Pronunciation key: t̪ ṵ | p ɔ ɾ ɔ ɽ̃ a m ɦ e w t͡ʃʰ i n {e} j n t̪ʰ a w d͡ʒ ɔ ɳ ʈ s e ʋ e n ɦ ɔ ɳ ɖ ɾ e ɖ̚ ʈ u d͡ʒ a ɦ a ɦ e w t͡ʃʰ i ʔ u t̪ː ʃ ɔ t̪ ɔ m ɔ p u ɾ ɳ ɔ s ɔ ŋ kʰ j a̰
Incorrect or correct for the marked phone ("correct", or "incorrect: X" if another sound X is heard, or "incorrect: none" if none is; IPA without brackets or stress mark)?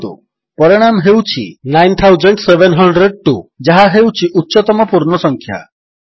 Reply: incorrect: a